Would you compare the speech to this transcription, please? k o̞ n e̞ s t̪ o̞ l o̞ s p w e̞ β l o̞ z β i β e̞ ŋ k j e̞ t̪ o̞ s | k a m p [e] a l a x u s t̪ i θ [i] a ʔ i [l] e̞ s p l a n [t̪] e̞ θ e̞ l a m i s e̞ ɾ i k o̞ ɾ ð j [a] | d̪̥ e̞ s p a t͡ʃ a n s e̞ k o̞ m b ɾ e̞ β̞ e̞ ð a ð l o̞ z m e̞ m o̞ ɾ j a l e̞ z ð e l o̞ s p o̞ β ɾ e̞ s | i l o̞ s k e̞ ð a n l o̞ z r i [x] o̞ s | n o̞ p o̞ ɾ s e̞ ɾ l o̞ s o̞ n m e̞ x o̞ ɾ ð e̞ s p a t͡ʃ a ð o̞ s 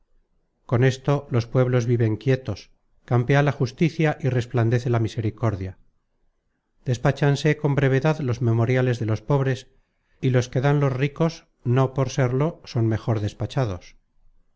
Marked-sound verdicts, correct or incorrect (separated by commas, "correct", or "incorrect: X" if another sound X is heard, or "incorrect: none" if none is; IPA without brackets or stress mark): correct, incorrect: j, incorrect: r, incorrect: d̪, correct, incorrect: k